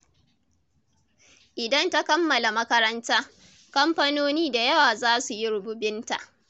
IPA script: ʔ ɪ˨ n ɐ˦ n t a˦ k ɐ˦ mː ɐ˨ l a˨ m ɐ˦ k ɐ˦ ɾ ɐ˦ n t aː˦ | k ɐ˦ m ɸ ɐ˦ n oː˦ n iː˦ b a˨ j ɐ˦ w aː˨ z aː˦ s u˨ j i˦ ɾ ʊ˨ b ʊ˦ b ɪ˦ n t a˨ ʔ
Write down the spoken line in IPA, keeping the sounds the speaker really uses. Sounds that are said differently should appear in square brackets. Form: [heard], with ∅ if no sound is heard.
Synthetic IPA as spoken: ʔ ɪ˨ [d] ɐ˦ n t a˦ k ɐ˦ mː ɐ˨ l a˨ m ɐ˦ k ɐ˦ ɾ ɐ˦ n t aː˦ | k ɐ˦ m ɸ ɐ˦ n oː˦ n iː˦ [d] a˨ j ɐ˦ w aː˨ z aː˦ s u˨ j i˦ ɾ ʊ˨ b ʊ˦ b ɪ˦ n t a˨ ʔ